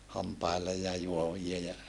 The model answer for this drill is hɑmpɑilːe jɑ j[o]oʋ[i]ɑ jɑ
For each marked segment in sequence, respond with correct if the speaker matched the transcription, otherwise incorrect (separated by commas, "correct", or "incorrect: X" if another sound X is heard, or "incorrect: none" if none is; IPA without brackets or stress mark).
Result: incorrect: u, correct